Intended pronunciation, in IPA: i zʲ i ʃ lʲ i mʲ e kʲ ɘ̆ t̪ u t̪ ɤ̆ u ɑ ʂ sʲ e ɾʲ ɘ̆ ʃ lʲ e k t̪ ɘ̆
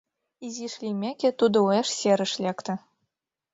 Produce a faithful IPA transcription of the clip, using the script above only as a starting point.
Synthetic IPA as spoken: i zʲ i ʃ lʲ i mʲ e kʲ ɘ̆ t̪ u d̪ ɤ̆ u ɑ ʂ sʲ e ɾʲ ɘ̆ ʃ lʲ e k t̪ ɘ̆